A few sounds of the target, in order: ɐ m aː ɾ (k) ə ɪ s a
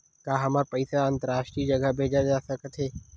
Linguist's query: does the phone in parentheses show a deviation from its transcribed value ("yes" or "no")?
yes